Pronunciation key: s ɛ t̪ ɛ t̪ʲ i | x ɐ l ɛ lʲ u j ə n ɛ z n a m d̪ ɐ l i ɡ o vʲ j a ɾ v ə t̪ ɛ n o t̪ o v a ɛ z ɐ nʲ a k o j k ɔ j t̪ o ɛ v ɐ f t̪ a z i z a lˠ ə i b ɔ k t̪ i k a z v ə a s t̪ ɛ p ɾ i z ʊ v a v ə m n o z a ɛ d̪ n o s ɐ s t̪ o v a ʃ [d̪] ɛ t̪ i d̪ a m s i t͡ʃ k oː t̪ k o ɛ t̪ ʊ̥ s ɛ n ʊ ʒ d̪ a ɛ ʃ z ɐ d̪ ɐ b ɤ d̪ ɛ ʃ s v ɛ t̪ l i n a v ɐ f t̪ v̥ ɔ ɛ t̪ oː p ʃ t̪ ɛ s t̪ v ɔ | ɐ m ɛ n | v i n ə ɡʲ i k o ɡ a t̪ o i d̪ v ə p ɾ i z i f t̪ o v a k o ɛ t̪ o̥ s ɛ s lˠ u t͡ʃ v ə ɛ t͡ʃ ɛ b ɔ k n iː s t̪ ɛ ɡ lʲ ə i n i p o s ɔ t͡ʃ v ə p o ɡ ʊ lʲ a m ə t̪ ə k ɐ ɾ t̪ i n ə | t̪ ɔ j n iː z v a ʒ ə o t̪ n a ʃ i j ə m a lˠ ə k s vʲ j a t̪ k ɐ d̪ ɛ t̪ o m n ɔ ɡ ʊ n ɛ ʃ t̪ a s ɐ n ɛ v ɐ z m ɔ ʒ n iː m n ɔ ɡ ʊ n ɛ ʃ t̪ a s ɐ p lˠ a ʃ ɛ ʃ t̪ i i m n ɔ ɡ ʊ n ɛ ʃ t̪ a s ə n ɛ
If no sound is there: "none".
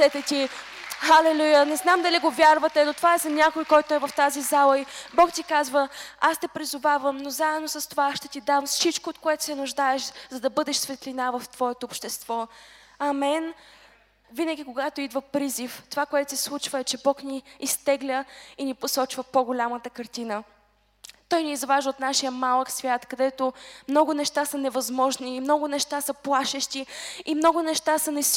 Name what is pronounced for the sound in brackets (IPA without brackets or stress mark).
t̪